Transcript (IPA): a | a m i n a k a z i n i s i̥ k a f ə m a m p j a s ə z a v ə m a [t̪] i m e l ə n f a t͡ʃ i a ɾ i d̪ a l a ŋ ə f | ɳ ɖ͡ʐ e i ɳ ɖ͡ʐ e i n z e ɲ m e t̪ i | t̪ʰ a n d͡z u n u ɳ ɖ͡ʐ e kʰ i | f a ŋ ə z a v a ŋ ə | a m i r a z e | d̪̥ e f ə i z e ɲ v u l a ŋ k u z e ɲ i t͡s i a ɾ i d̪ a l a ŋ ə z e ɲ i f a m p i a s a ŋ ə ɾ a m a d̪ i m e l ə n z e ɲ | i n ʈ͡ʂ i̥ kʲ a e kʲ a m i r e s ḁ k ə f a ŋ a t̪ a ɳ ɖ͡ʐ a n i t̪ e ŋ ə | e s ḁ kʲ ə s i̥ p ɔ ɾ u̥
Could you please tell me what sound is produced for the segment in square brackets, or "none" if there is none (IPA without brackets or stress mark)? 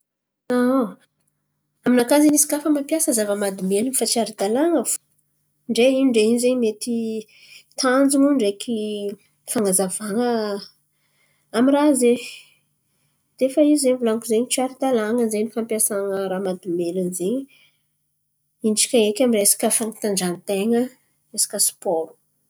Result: d̪